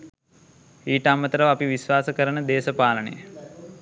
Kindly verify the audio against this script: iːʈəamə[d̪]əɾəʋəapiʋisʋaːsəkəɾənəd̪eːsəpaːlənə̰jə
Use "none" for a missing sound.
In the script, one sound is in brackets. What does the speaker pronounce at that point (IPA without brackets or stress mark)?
t̪